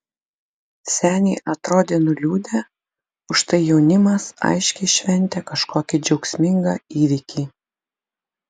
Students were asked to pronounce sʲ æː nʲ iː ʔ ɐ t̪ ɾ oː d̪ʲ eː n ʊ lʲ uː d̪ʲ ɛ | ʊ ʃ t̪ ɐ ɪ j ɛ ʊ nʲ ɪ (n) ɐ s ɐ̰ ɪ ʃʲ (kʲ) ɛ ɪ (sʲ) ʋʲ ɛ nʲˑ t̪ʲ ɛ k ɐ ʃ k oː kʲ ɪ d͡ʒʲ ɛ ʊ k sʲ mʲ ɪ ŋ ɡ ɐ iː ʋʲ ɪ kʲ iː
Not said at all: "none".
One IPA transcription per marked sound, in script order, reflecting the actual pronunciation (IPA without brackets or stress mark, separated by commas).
m, kʲ, ʃʲ